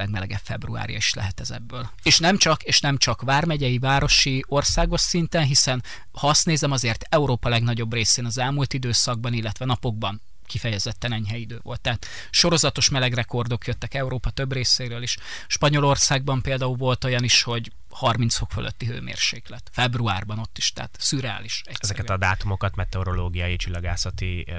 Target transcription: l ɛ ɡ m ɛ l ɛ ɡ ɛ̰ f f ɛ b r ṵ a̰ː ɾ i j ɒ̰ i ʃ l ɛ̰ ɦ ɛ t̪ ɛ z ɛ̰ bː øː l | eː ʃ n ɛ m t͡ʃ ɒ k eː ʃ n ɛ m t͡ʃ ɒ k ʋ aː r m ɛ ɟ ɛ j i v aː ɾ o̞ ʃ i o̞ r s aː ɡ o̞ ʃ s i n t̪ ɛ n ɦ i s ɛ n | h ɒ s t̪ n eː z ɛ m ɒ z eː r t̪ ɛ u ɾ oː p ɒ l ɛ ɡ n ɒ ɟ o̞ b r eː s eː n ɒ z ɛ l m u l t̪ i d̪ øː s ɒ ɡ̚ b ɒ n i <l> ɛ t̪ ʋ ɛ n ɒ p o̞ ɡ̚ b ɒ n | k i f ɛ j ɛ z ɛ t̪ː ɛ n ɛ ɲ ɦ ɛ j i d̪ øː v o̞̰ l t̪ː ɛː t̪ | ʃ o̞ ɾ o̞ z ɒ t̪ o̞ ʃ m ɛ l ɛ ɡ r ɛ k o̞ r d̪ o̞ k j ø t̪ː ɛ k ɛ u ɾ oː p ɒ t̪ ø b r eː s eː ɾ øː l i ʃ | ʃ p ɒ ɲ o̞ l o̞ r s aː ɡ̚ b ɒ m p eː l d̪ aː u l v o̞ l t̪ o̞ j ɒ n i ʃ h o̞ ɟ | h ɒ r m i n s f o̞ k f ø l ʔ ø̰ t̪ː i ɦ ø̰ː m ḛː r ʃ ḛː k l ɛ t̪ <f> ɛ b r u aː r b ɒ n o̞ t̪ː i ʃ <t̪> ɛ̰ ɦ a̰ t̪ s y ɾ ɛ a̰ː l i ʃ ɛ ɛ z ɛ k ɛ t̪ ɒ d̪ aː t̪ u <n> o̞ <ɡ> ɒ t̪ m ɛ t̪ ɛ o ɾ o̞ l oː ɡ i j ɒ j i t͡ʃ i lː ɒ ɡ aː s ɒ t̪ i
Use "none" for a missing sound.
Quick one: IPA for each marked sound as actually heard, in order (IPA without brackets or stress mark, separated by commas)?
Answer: lː, f, t̪, m, k